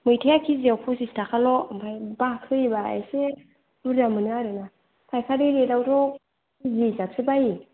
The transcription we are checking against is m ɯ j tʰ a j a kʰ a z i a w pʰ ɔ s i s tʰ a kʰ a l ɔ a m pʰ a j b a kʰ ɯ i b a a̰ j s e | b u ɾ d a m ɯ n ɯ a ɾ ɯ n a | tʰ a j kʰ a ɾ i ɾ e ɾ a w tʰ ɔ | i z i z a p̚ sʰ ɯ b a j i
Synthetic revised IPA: m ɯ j tʰ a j a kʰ i z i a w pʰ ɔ s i s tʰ a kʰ a l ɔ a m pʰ a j b a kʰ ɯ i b a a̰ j s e | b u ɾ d a m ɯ n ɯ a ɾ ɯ n a | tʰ a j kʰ a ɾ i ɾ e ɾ a w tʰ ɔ | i z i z a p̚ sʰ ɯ b a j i